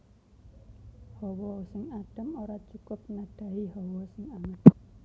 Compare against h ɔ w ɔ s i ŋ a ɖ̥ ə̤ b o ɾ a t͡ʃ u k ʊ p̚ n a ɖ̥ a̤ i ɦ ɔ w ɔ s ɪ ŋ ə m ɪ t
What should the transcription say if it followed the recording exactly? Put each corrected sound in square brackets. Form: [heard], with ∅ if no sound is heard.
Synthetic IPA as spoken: h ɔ w ɔ s [ɪ] ŋ a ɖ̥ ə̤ [m] o ɾ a t͡ʃ u k ʊ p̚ n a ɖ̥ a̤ i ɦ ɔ w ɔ s ɪ ŋ [a] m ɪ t

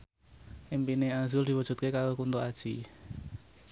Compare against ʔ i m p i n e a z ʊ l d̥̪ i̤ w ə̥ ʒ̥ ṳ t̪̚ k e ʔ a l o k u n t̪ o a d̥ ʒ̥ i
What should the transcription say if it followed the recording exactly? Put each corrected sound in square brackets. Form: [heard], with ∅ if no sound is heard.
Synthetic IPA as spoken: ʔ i m p i n e a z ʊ l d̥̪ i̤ w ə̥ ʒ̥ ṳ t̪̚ k e [k] a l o k u n t̪ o a d̥ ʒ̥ i

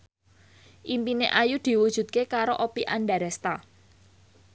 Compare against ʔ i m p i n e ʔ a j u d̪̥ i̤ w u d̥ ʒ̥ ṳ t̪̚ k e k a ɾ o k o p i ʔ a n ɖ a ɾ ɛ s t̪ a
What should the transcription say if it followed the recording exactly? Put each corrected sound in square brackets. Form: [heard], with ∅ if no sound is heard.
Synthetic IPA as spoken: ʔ i m p i n e ʔ a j u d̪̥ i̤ w u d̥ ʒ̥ ṳ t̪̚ k e k a ɾ o [ʔ] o p i ʔ a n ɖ a ɾ ɛ s t̪ a

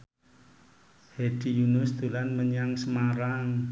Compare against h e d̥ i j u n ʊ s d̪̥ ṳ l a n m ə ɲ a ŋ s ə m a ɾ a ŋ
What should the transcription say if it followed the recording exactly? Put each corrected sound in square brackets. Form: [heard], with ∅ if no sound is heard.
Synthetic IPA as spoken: h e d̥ i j u n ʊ s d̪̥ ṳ l a n m ə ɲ a ŋ s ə m a ɾ a ŋ

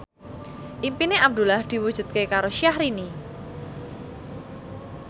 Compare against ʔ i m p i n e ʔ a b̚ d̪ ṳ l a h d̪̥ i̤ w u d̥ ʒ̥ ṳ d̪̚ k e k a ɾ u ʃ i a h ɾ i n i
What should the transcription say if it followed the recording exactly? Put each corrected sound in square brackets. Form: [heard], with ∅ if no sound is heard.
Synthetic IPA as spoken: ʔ i m p i n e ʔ a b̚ d̪ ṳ l a h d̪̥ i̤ w u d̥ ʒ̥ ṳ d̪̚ k e k a ɾ [o] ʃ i a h ɾ i n i

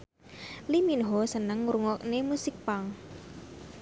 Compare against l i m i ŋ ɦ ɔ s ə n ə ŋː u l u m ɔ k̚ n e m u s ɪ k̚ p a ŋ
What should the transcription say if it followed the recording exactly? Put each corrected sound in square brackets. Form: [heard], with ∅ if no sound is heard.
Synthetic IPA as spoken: l i m i [n] ɦ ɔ s ə n ə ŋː u [ɾ] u [ŋ] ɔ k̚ n e m u s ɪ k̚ p a ŋ

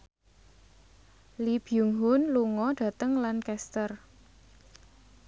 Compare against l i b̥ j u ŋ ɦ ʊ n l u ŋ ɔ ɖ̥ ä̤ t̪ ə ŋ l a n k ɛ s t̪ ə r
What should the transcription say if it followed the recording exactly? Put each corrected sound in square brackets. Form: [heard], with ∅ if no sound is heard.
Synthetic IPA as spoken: l i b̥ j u ŋ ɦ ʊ n l u ŋ ɔ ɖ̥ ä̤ t̪ ə ŋ l a n k ɛ s t̪ ə r

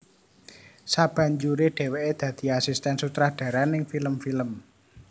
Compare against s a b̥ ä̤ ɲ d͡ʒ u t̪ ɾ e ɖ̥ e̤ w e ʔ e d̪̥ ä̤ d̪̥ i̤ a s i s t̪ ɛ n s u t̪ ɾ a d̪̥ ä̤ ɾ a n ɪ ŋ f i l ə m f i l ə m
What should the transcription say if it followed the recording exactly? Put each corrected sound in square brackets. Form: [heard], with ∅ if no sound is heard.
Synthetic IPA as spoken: s a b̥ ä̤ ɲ d͡ʒ u [∅] ɾ e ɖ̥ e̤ w e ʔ e d̪̥ ä̤ d̪̥ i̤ a s i s t̪ ɛ n s u t̪ ɾ a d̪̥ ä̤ ɾ a n ɪ ŋ f i l ə m f i l ə m

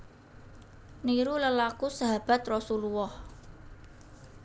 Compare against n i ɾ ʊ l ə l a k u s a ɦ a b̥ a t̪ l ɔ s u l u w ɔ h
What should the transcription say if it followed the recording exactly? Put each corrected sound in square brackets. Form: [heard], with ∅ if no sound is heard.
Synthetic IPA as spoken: n i ɾ [u] l ə l a k u s a ɦ a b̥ a t̪ [r] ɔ s u l u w ɔ h

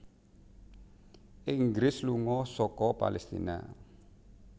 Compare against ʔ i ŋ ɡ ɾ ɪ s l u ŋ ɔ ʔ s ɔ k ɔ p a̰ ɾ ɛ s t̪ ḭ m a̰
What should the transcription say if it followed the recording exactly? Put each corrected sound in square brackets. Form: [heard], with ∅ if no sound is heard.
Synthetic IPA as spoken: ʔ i ŋ ɡ ɾ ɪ s l u ŋ ɔ [∅] s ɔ k ɔ p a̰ [l] ɛ s t̪ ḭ [n] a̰

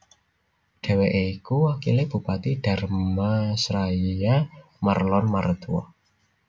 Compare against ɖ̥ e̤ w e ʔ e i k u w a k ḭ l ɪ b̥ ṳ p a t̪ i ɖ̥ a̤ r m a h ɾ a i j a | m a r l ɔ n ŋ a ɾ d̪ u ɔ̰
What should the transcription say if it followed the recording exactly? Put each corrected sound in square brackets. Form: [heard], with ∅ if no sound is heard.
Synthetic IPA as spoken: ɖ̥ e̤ w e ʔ e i k u w a k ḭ l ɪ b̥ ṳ p a t̪ i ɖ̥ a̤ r m a [s] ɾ a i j a | m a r l ɔ n [m] a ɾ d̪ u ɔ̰

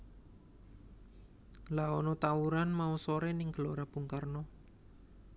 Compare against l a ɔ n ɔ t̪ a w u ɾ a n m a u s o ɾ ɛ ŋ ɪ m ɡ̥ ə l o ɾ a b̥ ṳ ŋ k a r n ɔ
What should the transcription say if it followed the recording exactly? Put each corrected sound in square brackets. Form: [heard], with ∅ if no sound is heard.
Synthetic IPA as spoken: l a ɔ n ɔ t̪ a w u ɾ a n m a u s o ɾ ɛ [n] ɪ [ŋ] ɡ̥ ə l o ɾ a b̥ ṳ ŋ k a r n ɔ

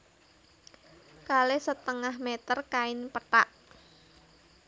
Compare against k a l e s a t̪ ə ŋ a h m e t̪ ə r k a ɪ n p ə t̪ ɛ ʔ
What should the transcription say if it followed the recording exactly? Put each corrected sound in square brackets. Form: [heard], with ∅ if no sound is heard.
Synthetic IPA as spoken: k a l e s [ə] t̪ ə ŋ a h m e t̪ ə r k a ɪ n p ə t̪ [a] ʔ

